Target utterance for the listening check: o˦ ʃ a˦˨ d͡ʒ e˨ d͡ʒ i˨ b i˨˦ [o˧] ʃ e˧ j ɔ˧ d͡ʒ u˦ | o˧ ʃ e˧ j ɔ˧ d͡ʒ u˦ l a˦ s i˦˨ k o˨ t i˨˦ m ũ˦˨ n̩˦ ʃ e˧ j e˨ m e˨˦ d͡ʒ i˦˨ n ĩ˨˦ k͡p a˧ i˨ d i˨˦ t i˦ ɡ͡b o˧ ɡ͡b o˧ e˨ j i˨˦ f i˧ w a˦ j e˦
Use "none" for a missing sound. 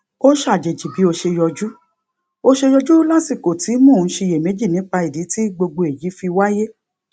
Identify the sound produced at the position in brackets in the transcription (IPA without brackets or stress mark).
o˧